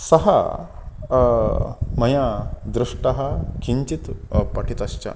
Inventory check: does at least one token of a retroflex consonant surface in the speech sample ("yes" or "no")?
yes